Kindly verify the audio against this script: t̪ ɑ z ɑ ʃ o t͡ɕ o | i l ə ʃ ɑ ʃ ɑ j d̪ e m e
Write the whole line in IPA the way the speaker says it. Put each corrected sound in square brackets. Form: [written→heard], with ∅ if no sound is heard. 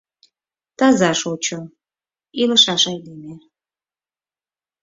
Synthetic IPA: t̪ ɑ z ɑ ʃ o t͡ɕ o | i l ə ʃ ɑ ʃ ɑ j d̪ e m e